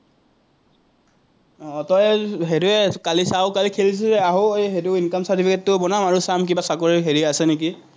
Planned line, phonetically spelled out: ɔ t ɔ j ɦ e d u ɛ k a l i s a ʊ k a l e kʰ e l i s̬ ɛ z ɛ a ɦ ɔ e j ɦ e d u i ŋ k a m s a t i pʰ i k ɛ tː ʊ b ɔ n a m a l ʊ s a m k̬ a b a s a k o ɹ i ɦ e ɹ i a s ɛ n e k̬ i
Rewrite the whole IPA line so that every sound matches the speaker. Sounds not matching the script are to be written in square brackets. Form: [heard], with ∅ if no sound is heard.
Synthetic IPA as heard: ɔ t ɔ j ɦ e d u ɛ k a l i s a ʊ k a l [i] kʰ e l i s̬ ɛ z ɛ a ɦ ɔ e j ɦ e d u i [n] k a m s a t i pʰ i k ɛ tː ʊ b ɔ n a m a [ɹ] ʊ s a m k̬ [i] b a s a k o ɹ i ɦ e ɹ i a s ɛ n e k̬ i